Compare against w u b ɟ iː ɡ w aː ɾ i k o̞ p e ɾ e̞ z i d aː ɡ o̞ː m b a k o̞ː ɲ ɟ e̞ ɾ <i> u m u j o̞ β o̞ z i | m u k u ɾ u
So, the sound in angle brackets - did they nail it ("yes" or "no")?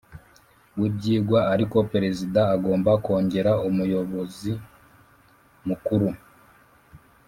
no